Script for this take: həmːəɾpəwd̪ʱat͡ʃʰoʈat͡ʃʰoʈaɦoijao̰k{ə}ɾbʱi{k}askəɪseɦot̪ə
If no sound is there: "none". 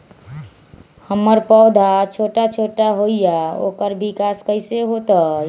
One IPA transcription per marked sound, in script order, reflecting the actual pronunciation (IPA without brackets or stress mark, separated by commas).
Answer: ə, k